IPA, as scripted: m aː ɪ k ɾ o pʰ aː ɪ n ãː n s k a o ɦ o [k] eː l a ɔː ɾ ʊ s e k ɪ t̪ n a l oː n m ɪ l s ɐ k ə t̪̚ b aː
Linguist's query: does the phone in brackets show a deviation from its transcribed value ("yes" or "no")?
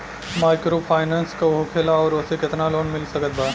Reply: yes